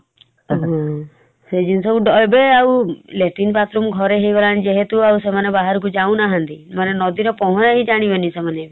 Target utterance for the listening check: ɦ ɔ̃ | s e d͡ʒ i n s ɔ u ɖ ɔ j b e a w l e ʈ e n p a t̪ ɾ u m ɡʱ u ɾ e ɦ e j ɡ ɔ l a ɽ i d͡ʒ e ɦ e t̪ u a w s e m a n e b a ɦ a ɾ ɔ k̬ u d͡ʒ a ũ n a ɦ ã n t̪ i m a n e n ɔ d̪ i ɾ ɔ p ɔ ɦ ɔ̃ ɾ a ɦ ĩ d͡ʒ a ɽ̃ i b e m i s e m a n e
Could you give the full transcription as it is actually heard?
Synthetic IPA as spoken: ɦ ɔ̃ | s e d͡ʒ i n s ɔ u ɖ ɔ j b e a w l e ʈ i n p a t̪ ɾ u m ɡʱ ɔ ɾ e ɦ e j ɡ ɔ l a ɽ i d͡ʒ e ɦ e t̪ u a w s e m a n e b a ɦ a ɾ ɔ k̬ u d͡ʒ a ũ n a ɦ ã n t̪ i m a n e n ɔ d̪ i ɾ ɔ p ɔ ɦ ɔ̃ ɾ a ɦ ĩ d͡ʒ a ɽ̃ i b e n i s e m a n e

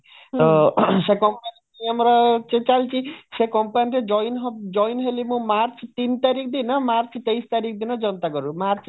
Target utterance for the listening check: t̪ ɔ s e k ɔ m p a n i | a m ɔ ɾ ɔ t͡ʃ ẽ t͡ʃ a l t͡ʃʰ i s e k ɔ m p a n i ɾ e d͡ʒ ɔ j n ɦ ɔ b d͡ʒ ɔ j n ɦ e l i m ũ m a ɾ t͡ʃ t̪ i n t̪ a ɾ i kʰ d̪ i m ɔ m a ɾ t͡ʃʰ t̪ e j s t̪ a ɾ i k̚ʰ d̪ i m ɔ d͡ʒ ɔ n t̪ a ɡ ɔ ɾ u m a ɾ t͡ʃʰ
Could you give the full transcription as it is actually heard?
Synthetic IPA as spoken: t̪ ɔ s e k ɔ m p a n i | a m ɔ ɾ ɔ t͡ʃ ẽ t͡ʃ a l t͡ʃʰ i s e k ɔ m p a n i ɾ e d͡ʒ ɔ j n ɦ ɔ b d͡ʒ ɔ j n ɦ e l i m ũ m a ɾ t͡ʃ t̪ i n t̪ a ɾ i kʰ d̪ i n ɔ m a ɾ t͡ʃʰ t̪ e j s t̪ a ɾ i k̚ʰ d̪ i n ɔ d͡ʒ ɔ n t̪ a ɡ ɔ ɾ u m a ɾ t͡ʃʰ

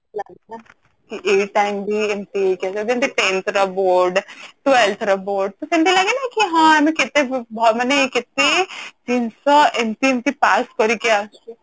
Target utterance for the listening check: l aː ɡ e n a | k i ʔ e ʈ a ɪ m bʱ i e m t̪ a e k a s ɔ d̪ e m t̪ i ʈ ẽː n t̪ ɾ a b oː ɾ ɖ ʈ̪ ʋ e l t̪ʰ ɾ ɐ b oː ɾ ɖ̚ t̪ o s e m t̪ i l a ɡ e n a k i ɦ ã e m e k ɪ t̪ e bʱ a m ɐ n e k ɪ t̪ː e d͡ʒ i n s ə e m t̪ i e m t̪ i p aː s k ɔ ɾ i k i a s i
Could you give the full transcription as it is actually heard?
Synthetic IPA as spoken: l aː ɡ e n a | k i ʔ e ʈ a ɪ m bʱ i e m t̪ i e k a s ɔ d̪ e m t̪ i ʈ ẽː n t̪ ɾ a b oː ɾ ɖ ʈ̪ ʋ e l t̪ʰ ɾ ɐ b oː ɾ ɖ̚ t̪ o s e m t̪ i l a ɡ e n a k i ɦ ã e m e k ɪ t̪ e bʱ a m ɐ n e k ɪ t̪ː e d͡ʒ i n s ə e m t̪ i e m t̪ i p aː s k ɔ ɾ i k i a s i

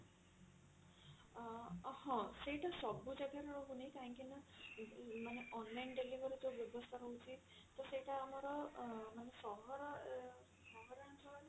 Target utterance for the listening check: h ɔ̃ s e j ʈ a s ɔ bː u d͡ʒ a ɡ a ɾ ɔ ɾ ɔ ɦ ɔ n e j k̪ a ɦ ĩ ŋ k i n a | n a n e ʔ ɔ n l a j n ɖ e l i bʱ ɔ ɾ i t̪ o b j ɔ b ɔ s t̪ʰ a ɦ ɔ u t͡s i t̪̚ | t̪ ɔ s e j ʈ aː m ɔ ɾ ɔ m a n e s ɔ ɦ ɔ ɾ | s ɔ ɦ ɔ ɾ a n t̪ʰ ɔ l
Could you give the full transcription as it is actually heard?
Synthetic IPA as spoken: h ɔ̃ s e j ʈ a s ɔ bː u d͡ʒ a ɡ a ɾ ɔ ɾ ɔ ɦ u n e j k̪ a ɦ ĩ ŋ k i n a | m a n e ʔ ɔ n l a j n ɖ e l i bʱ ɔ ɾ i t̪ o b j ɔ b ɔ s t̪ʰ a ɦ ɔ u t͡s i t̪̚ | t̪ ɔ s e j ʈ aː m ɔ ɾ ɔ m a n e s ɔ ɦ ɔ ɾ | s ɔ ɦ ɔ ɾ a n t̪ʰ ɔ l

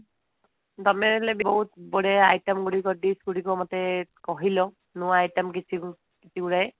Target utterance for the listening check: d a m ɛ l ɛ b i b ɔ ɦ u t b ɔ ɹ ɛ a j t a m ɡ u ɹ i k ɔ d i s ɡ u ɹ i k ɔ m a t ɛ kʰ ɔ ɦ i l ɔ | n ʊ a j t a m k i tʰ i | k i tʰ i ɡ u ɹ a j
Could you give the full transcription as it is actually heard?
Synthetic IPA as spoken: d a m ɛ l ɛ b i b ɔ ɦ u t b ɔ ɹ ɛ a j t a m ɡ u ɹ i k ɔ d i s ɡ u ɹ i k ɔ m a t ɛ k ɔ ɦ i l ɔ | n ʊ a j t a m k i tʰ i | k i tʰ i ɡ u ɹ a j

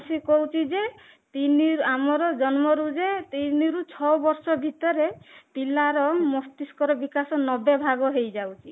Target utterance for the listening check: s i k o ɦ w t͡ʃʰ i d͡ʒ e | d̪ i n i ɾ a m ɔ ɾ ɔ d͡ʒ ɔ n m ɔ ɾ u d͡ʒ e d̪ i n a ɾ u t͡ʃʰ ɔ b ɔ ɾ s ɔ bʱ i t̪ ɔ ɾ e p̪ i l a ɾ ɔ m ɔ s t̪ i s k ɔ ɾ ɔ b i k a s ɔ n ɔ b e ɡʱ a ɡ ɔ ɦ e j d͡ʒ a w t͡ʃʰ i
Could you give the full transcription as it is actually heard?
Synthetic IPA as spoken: s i k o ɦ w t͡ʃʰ i d͡ʒ e | t̪ i n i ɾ a m ɔ ɾ ɔ d͡ʒ ɔ n m ɔ ɾ u d͡ʒ e t̪ i n i ɾ u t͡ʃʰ ɔ b ɔ ɾ s ɔ bʱ i t̪ ɔ ɾ e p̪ i l a ɾ ɔ m ɔ s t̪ i s k ɔ ɾ ɔ b i k a s ɔ n ɔ b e bʱ a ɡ ɔ ɦ e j d͡ʒ a w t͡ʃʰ i

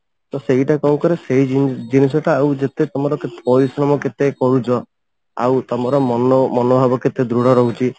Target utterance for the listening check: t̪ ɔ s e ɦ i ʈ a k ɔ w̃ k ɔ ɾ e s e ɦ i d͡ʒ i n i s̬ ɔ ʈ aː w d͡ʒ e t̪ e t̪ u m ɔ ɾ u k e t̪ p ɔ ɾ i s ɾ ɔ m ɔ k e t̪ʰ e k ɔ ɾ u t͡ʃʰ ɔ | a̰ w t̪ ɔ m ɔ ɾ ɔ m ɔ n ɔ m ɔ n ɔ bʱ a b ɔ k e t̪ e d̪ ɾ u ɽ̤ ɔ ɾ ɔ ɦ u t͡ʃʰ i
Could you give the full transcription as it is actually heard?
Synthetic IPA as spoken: t̪ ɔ s e ɦ i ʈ a k ɔ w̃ k ɔ ɾ e s e ɦ i d͡ʒ i n i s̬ ɔ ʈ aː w d͡ʒ e t̪ e t̪ ɔ m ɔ ɾ ɔ k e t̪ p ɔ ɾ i s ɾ ɔ m ɔ k e t̪ e k ɔ ɾ u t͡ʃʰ ɔ | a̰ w t̪ ɔ m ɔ ɾ ɔ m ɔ n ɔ m ɔ n ɔ bʱ a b ɔ k e t̪ e d̪ ɾ u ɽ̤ ɔ ɾ ɔ ɦ u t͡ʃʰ i

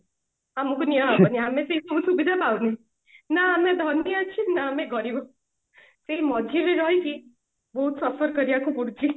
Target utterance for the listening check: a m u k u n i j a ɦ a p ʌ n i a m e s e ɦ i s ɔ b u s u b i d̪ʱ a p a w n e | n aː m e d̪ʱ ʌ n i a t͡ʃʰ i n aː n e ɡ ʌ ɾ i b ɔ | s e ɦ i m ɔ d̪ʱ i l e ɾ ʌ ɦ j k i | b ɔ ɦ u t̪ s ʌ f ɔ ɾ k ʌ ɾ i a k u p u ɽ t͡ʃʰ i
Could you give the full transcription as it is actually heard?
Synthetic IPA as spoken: a m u k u n i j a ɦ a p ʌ n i a m e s e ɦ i s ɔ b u s u b i d̪ʱ a p a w n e | n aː m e d̪ʱ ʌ n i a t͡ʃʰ i n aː m e ɡ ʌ ɾ i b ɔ | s e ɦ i m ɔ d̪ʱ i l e ɾ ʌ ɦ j k i | b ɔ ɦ u t̪ s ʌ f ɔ ɾ k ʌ ɾ i a k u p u ɽ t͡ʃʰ i

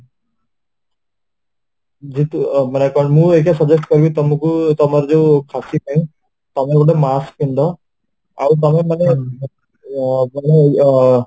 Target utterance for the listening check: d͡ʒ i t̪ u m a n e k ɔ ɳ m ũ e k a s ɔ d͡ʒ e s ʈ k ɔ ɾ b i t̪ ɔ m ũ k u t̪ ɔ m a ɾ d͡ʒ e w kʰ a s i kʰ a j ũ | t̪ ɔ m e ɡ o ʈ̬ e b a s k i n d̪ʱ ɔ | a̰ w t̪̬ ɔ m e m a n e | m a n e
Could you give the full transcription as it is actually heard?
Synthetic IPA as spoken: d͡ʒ i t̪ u m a n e k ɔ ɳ m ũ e k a s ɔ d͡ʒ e s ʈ k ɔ ɾ b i t̪ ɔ m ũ k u t̪ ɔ m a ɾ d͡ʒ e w kʰ a s i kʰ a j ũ | t̪ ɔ m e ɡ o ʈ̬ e m a s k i n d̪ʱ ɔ | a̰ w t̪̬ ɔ m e m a n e | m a n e

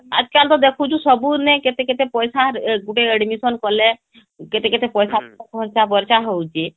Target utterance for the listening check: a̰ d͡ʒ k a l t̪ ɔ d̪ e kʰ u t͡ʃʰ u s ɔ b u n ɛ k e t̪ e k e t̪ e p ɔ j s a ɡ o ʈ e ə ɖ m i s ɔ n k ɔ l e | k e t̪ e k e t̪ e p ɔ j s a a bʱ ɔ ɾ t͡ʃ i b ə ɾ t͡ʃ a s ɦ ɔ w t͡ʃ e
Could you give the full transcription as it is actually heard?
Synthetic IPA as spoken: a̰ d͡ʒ k a l t̪ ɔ d̪ e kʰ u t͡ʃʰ u s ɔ b u n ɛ k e t̪ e k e t̪ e p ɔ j s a ɡ u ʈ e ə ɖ m i s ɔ n k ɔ l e | k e t̪ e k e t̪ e p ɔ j s a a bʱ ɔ ɾ t͡ʃ a b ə ɾ t͡ʃ a ɦ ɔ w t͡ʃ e

